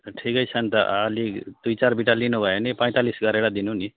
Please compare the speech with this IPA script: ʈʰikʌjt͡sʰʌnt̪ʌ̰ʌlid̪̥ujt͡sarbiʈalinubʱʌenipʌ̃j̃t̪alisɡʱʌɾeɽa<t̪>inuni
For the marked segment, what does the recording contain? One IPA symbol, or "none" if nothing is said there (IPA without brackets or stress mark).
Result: d̪